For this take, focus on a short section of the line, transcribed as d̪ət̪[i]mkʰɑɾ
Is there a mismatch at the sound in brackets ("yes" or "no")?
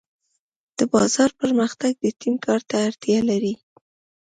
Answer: no